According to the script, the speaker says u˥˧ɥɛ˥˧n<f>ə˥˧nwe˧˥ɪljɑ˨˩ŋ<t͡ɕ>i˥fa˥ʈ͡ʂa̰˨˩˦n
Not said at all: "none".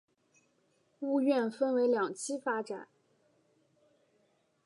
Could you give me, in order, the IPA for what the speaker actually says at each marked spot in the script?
f, t͡ɕʰ

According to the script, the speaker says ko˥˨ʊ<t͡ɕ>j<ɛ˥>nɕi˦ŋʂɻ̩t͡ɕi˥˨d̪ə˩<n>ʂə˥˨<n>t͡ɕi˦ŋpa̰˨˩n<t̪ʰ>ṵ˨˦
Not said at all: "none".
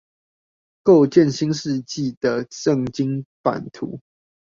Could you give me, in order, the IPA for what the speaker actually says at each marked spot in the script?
t͡ɕ, ɛ˥˨, none, ŋ, t̪ʰ

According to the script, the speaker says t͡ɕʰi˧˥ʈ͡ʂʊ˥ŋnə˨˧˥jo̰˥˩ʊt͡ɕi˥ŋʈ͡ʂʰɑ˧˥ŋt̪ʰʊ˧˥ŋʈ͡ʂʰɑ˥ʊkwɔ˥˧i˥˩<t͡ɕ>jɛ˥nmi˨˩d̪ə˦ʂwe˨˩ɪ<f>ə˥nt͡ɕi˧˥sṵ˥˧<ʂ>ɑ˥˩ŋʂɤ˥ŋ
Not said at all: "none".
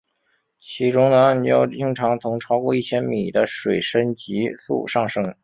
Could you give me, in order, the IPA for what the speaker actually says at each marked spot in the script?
t͡ɕʰ, ʂ, ʂ

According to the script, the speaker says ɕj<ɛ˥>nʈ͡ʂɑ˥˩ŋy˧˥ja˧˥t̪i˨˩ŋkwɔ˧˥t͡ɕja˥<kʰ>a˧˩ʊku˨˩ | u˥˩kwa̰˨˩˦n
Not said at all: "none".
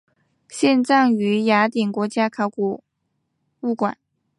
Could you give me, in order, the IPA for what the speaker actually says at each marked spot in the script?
ɛ˥˧, kʰ

